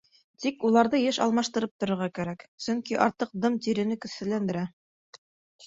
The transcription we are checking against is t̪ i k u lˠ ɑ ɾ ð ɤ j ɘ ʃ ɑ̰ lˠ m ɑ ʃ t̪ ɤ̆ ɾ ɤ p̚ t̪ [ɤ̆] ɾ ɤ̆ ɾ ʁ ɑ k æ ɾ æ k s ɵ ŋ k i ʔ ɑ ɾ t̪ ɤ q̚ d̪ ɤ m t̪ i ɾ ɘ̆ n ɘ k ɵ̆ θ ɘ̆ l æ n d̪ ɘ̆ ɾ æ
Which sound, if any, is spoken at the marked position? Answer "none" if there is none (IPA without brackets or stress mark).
ŏ